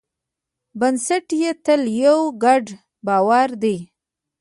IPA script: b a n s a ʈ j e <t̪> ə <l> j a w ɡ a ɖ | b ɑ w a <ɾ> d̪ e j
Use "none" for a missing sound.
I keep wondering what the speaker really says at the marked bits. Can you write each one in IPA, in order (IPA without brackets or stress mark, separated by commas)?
t̪, l, ɾ